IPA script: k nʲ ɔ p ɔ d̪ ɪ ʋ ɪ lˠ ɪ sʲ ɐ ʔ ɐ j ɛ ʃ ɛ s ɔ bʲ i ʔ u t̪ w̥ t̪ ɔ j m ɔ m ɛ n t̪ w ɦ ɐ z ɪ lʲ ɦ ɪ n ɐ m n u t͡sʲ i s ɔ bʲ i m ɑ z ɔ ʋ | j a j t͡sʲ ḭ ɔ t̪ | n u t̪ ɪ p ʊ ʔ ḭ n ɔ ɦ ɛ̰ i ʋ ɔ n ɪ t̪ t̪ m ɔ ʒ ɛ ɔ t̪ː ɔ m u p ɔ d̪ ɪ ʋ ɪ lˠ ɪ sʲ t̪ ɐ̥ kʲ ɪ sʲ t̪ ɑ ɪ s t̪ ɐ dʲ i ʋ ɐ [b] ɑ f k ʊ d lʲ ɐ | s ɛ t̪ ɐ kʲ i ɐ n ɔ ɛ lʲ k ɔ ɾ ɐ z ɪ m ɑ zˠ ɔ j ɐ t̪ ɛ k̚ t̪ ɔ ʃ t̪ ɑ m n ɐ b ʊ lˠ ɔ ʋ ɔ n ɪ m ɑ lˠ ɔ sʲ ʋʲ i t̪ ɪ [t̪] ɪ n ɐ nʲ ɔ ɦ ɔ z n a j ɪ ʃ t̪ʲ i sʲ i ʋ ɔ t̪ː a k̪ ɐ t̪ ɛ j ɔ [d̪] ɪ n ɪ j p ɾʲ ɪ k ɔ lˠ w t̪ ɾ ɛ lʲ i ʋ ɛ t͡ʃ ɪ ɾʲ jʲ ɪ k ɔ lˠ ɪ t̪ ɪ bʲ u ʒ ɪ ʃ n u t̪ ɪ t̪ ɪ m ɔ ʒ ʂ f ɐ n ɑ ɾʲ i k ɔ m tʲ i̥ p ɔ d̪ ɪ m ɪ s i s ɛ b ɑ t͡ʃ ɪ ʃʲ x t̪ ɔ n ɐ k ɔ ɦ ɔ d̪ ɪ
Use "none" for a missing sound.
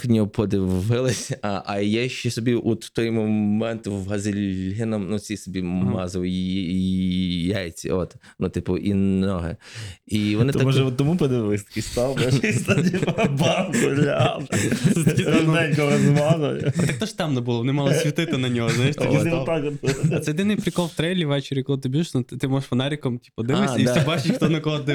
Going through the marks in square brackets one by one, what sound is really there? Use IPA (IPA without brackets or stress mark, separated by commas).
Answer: b, t̪, d̪